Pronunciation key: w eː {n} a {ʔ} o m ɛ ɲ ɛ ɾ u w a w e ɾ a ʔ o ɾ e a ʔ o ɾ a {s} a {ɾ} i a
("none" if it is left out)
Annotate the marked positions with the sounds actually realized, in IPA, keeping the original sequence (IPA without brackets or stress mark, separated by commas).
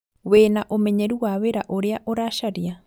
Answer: n, ʔ, ʃ, ɾ